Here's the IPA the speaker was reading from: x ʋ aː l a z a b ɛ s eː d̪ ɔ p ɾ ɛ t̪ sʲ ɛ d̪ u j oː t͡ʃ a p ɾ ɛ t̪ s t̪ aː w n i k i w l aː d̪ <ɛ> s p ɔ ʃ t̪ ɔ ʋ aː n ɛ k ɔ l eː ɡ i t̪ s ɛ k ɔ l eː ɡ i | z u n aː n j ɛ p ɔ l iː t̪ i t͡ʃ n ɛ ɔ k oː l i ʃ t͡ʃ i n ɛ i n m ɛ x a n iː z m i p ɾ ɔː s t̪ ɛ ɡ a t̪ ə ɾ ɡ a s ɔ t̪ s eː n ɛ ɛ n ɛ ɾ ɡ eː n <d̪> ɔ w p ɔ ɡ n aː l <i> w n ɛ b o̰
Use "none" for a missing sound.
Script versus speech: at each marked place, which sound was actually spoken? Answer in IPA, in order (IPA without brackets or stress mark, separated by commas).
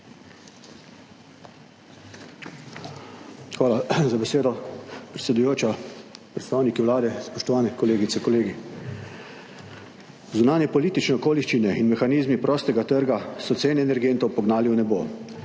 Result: ɛ, t̪, i